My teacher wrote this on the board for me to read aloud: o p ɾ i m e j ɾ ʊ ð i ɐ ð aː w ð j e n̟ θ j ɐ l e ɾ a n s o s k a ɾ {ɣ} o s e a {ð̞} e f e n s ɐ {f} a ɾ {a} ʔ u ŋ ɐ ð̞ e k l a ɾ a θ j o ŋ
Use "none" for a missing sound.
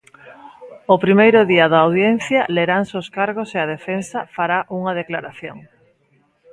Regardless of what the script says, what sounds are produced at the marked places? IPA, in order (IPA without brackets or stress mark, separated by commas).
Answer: ɣ, ð̞, f, a